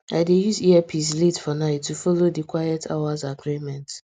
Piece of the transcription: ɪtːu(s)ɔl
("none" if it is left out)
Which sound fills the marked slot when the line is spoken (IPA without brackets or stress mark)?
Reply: f